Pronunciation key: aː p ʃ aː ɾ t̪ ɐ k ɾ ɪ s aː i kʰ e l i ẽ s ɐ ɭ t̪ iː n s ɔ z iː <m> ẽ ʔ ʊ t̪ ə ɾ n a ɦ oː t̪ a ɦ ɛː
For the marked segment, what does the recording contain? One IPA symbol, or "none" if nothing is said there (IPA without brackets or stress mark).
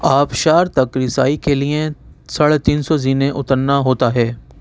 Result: n